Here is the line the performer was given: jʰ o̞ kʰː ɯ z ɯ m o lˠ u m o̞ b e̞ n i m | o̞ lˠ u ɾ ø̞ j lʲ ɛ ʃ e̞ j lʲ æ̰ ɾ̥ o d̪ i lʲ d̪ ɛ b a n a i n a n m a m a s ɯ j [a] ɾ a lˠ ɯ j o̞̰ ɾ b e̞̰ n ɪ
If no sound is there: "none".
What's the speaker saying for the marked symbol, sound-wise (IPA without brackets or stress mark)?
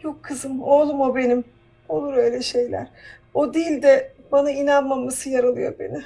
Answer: a